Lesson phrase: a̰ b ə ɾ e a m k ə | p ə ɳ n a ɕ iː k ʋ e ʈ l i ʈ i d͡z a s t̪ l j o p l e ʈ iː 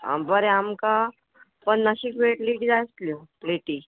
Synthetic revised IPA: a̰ b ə ɾ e a m k a | p ə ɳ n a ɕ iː k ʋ e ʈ l i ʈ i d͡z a s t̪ l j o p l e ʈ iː